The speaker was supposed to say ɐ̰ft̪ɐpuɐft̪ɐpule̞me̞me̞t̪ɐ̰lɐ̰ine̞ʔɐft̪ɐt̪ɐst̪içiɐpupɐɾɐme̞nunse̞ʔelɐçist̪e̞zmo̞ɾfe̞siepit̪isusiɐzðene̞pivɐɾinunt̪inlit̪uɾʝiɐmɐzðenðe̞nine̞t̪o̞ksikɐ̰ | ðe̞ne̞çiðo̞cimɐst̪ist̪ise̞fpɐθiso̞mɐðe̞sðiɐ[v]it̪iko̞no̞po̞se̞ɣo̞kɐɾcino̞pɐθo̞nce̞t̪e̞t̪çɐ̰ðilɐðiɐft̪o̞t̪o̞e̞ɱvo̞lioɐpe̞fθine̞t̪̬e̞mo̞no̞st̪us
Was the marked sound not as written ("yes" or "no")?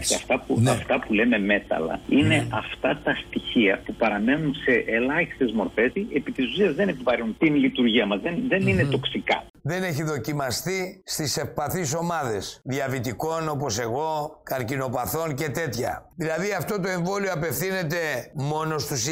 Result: no